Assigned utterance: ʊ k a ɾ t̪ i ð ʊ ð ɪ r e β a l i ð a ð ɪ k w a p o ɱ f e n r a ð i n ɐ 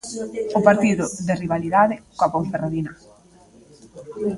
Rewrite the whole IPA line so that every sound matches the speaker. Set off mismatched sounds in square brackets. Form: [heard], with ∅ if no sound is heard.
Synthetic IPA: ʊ [p] a ɾ t̪ i ð ʊ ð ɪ r [i] β a l i ð a ð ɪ k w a p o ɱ f e [∅] r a ð i n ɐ